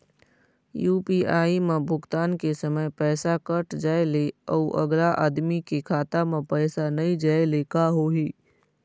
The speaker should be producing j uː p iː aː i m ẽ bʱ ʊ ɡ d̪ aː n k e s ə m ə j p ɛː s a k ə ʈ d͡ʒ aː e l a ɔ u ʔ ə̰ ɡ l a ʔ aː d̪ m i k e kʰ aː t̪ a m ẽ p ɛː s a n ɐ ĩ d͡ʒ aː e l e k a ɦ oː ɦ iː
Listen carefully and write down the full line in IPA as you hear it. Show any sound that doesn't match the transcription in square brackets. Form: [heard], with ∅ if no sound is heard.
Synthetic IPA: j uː p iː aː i m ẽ bʱ ʊ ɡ [t̪] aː n k e s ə m ə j p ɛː s a k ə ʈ d͡ʒ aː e l [e] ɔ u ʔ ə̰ ɡ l a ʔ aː d̪ m i k e kʰ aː t̪ a m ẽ p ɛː s a n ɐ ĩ d͡ʒ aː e l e k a ɦ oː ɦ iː